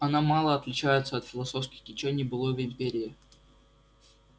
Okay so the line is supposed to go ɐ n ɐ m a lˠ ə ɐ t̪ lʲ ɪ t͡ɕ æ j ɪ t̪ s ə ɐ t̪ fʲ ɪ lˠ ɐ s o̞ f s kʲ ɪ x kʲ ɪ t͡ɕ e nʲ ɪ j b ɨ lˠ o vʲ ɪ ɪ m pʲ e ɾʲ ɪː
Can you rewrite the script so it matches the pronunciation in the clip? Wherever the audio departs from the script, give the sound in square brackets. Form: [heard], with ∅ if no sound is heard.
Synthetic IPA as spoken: ɐ n [a] m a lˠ ə ɐ t̪ lʲ ɪ t͡ɕ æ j ɪ t̪ s ə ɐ t̪ fʲ ɪ lˠ ɐ s o̞ f s kʲ ɪ x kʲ ɪ t͡ɕ e nʲ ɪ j b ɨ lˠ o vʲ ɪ ɪ m pʲ e ɾʲ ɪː